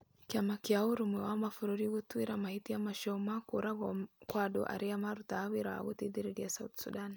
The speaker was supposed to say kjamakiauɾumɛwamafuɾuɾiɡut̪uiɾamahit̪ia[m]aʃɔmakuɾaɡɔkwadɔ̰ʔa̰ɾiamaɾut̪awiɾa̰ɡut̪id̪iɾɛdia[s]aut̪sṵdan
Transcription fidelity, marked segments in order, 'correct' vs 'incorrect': correct, correct

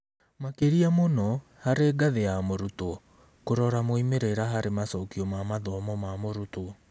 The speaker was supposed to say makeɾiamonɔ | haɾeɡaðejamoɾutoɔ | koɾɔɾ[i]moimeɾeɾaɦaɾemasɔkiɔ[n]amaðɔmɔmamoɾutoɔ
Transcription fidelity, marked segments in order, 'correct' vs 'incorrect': incorrect, incorrect

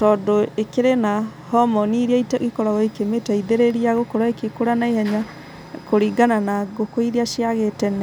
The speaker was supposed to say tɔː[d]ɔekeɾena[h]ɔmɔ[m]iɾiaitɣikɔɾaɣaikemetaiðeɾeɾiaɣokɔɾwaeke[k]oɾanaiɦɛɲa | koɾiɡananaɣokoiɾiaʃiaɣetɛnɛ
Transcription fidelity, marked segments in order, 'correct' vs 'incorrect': correct, correct, incorrect, correct

